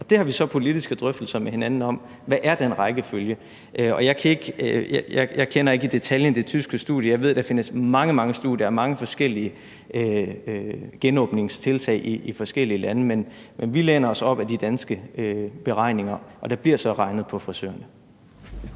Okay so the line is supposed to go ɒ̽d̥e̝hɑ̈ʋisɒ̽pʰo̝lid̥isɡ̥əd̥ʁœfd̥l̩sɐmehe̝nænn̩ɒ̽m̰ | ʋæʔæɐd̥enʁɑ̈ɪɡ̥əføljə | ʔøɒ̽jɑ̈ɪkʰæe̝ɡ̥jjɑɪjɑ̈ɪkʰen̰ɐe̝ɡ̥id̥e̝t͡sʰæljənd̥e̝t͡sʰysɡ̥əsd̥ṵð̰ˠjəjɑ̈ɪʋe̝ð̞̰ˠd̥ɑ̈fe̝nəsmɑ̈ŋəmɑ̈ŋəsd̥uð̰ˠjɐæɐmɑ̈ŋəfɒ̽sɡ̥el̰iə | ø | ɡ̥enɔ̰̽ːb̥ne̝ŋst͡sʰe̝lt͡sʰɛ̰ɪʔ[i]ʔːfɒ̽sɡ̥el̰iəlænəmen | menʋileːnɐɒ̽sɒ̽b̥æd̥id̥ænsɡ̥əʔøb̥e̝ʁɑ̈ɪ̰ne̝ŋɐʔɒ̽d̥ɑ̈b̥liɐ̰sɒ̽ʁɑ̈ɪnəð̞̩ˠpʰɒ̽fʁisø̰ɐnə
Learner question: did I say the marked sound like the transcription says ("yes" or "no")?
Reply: yes